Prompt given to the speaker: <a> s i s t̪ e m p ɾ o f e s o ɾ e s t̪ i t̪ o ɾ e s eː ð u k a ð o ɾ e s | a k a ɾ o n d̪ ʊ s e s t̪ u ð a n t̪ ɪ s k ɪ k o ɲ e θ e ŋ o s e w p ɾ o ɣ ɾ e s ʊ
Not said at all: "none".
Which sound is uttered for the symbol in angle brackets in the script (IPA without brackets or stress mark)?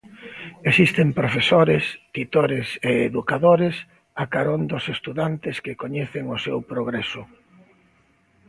e